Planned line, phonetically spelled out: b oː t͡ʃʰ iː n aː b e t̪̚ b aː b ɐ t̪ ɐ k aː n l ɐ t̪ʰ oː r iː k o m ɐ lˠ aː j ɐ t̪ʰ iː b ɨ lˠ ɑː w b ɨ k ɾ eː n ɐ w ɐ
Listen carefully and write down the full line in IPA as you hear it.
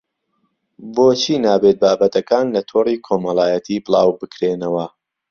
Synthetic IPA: b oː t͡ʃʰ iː n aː b e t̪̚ b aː b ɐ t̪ ɐ k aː n l ɐ t̪ʰ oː r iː kʰ o m ɐ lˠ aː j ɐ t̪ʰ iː b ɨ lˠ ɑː w b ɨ k ɾ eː n ɐ w ɐ

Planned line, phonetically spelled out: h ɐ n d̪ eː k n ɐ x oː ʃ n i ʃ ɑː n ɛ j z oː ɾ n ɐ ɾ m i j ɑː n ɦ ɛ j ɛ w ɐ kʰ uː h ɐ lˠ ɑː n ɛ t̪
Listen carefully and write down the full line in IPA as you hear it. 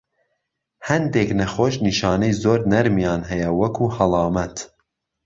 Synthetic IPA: h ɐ n d̪ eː k n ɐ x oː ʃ n i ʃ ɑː n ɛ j z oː ɾ n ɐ ɾ m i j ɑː n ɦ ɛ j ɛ w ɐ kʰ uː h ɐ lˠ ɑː m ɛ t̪

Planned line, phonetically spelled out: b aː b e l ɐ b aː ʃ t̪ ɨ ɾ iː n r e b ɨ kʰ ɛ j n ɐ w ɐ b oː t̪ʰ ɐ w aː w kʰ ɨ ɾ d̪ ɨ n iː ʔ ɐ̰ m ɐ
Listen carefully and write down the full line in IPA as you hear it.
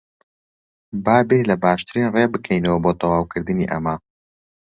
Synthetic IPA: b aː b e l ɐ b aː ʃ t̪ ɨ ɾ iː n r e b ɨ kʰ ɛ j n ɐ w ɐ b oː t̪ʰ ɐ w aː w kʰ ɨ ɾ d̪ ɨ n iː ʔ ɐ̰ m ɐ

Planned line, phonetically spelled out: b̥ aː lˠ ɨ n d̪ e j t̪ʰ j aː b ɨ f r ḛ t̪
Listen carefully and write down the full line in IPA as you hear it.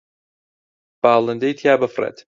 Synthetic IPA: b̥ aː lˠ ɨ n d̪ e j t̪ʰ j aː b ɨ f r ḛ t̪

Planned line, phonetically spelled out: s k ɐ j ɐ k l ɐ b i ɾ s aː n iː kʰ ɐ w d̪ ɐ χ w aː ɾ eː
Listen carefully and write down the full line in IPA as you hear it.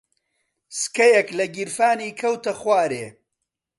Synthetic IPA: s k ɐ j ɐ k l ɐ ɡ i ɾ f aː n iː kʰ ɐ w t̪ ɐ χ w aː ɾ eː

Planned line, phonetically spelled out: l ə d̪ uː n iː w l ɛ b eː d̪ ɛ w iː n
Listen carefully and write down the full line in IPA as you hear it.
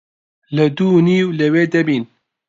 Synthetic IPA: l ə d̪ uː n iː w l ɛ w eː d̪ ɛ b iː n

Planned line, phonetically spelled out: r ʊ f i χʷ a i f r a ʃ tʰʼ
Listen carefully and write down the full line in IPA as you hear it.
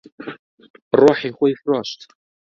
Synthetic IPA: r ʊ ħ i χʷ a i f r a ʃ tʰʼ

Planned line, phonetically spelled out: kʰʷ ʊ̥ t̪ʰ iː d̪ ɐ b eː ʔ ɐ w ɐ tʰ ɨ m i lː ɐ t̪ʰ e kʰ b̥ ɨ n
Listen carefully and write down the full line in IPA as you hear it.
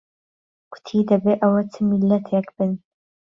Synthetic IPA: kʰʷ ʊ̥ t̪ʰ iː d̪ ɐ b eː ʔ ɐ w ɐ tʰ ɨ m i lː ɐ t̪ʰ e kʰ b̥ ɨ n

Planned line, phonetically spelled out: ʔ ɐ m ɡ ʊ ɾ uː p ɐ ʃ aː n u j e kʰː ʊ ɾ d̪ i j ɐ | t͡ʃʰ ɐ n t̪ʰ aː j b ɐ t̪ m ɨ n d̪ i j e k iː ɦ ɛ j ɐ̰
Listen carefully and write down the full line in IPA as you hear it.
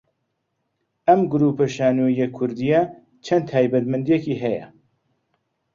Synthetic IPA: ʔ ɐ m ɡ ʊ ɾ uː p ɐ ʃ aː n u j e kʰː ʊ ɾ d̪ i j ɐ | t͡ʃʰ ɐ n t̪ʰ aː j b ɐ t̪ m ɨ n d̪ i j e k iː ɦ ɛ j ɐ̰

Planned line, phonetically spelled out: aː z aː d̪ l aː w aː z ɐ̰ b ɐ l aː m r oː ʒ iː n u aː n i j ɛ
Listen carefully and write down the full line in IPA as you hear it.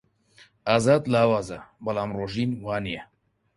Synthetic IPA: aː z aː d̪ l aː w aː z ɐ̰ b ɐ l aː m r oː ʒ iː n w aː n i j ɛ

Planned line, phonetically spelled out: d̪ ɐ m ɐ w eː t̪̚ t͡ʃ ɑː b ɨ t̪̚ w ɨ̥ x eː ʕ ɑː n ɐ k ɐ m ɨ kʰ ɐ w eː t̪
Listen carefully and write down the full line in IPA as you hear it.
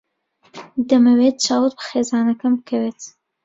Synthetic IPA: d̪ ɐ m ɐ w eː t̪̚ t͡ʃ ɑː w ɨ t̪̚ b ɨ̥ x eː z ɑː n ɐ k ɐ m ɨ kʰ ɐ w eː t̪

